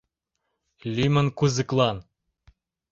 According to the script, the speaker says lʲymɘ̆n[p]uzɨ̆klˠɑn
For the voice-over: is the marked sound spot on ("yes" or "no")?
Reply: no